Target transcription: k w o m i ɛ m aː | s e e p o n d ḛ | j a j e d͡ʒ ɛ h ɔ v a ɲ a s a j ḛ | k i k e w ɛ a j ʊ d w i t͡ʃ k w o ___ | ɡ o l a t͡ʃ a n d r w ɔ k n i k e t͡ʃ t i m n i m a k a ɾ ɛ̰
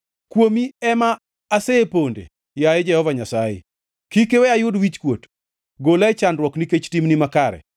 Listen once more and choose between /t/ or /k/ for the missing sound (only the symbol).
t